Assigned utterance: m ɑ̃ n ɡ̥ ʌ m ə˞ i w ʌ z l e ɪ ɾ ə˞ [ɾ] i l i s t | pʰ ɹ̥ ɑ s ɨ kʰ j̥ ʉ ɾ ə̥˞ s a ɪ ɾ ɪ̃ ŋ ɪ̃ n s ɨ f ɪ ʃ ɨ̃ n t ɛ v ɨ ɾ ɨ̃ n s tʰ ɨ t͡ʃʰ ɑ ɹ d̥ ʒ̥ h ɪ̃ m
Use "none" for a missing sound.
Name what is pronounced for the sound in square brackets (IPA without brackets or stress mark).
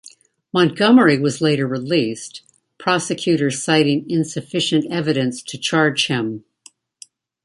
ɹ